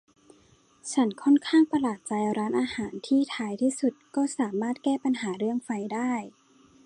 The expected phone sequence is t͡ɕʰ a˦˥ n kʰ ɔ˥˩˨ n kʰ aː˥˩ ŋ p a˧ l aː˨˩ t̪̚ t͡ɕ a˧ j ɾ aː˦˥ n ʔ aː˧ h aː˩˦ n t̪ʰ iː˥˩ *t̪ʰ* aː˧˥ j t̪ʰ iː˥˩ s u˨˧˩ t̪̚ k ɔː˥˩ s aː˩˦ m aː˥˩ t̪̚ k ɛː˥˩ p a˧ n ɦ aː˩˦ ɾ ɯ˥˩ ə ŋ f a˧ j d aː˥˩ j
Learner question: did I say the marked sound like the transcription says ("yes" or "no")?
yes